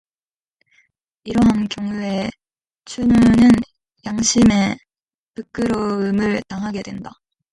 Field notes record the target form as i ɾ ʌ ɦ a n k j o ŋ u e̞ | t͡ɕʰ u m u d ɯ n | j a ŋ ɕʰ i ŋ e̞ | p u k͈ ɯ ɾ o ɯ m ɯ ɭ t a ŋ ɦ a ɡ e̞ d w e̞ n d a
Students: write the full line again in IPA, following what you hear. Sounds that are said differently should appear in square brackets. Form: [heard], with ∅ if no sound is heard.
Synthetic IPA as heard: i ɾ ʌ ɦ a n k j o ŋ u e̞ | t͡ɕʰ u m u [n] ɯ n | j a ŋ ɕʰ i [m] e̞ | p [ɯ] k͈ ɯ ɾ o ɯ m ɯ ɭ t a ŋ ɦ a ɡ e̞ d w e̞ n d a